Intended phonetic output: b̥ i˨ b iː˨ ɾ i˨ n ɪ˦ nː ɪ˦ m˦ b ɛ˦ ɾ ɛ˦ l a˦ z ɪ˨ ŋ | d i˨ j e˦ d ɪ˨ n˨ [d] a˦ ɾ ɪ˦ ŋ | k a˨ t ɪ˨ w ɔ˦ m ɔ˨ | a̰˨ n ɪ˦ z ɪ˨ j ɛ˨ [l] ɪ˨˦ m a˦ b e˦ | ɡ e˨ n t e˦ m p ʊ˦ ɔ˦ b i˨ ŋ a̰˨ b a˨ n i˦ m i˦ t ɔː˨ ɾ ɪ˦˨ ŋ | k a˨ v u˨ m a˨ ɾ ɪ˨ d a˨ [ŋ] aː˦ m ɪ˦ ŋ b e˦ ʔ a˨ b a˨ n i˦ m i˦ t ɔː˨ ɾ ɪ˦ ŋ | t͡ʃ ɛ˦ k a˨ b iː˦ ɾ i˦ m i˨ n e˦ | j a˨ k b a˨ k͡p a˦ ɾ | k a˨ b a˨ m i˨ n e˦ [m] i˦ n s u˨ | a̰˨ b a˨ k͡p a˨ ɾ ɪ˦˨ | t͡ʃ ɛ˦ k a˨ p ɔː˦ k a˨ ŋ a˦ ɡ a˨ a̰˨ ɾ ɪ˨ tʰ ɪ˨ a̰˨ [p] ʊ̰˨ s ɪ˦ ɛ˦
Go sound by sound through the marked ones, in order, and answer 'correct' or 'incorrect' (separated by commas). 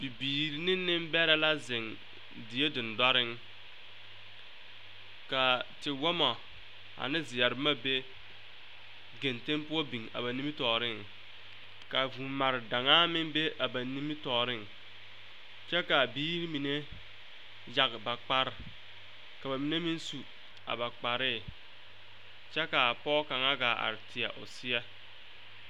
correct, incorrect, correct, correct, incorrect